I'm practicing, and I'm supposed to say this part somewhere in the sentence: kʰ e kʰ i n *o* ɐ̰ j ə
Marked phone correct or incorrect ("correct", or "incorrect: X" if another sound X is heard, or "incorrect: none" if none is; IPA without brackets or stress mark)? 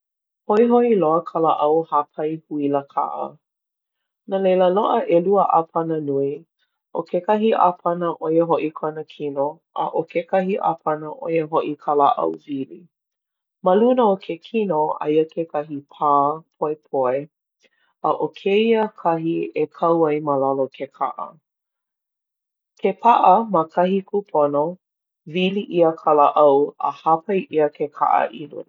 correct